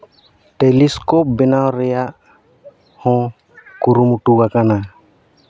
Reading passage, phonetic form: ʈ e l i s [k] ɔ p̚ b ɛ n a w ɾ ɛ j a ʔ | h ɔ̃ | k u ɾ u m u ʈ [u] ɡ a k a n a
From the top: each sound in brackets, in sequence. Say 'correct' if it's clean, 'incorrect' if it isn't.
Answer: correct, correct

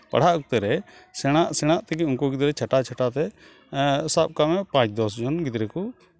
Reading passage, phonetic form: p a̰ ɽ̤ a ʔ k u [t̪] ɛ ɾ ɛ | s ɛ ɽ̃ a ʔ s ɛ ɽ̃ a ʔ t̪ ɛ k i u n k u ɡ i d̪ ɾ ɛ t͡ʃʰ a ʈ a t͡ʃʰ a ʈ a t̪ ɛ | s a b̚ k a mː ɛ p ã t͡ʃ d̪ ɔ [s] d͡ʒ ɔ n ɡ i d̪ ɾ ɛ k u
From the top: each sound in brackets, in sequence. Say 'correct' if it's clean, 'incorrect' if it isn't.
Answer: correct, correct

